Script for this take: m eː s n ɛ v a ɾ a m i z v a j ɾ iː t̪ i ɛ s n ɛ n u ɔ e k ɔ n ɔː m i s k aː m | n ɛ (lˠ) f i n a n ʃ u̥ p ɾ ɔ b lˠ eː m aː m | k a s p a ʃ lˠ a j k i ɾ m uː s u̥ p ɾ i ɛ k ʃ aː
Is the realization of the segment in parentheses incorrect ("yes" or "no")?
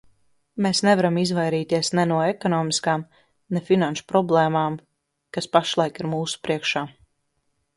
yes